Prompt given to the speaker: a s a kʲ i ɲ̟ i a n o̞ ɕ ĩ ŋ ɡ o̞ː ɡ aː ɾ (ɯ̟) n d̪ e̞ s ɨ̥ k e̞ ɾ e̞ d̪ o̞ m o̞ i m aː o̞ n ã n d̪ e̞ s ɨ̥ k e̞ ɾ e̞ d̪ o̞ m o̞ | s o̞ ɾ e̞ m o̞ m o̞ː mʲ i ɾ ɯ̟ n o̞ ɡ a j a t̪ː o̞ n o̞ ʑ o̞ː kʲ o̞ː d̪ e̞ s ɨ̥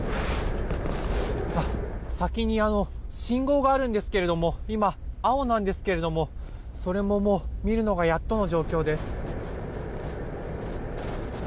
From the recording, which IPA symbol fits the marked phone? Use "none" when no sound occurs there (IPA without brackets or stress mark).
ɯ̟̃